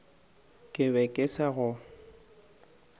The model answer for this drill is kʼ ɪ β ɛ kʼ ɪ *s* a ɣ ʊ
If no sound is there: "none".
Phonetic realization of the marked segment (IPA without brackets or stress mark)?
s